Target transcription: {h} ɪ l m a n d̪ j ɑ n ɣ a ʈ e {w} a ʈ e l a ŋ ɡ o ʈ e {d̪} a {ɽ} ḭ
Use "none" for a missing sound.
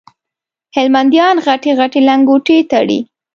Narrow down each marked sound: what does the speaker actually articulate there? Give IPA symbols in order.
h, ɣ, t̪, ɽ

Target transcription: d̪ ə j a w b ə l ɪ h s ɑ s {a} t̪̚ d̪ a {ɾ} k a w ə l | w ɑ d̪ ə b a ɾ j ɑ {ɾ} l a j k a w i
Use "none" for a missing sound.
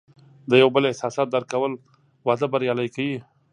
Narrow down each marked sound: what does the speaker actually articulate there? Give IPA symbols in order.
ɑ, ɾ, none

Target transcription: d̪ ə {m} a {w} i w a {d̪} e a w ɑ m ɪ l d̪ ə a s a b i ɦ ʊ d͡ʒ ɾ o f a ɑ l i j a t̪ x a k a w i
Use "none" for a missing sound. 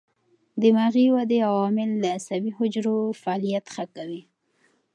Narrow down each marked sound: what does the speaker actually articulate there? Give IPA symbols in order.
m, ɣ, d̪

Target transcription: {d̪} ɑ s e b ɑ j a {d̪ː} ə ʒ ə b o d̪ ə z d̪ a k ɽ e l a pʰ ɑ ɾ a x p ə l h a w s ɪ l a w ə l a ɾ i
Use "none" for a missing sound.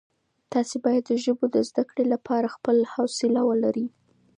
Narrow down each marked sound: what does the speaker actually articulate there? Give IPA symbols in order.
t̪, d̪ː

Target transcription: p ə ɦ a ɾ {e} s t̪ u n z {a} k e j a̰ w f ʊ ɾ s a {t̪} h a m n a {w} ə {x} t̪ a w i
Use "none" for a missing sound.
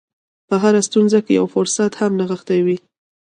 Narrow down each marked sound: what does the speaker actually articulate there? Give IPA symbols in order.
a, a, t̪, ɣ, x

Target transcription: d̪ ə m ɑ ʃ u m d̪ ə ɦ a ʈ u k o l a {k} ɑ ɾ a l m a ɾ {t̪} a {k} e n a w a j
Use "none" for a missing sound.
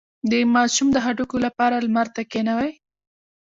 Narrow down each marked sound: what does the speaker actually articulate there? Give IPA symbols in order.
p, t̪, k

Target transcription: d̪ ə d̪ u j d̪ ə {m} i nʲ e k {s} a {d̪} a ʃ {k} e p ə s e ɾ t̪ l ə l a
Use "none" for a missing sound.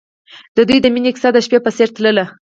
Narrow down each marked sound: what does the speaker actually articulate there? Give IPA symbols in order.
m, s, d̪, p

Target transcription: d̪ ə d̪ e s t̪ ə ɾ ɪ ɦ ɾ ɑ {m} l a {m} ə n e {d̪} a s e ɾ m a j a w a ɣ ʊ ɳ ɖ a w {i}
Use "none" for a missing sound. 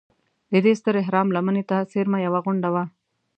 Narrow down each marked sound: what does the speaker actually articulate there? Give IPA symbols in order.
m, m, t̪, a

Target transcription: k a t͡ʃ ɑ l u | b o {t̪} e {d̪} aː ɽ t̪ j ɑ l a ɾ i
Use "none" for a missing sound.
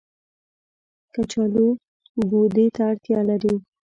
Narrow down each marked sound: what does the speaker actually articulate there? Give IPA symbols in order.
d̪, t̪

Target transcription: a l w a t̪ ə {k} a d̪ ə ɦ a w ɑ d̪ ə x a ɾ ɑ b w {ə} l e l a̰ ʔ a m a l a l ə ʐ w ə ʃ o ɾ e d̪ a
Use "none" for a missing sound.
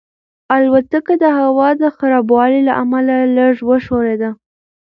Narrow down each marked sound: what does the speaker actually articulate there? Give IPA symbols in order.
k, ɑ

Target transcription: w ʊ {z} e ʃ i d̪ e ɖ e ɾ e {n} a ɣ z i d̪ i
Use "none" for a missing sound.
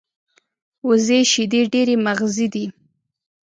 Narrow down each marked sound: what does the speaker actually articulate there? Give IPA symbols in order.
z, m

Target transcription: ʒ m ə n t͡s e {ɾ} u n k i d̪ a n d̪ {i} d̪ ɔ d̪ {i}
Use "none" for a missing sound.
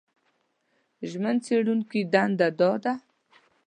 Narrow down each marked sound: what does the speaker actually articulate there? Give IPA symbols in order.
ɽ, a, a

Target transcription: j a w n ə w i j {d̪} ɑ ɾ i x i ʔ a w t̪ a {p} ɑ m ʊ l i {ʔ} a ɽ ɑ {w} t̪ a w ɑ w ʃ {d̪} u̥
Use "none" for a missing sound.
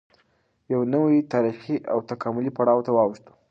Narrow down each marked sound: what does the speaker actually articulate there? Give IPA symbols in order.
t̪, k, p, w, t̪

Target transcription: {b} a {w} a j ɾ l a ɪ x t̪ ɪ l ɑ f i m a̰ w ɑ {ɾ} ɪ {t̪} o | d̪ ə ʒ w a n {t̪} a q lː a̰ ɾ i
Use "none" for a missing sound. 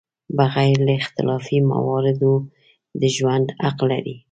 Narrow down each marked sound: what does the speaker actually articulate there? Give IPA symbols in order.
b, ɣ, ɾ, d̪, d̪

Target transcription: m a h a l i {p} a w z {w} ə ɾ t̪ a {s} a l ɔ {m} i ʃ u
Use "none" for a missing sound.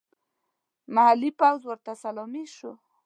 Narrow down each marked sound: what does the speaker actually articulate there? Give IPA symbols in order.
p, w, s, m

